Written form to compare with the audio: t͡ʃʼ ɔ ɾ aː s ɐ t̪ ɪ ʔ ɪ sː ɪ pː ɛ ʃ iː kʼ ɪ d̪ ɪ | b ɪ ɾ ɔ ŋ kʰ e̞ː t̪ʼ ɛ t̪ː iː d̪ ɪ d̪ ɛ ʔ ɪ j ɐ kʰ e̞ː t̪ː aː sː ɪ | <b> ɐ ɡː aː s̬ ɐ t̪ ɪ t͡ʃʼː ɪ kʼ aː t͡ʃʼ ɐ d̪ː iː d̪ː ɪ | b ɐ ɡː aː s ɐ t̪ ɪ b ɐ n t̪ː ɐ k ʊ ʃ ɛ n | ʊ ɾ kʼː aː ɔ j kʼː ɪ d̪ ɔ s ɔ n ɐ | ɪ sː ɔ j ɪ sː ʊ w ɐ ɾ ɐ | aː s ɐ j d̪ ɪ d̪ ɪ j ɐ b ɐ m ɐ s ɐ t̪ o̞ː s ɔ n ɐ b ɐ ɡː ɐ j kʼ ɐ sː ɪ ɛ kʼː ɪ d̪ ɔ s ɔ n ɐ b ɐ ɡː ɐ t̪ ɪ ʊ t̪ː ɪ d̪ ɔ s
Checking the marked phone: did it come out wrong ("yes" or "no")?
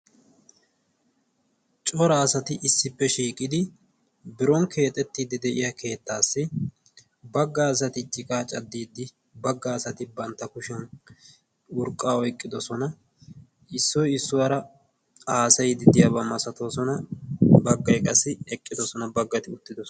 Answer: no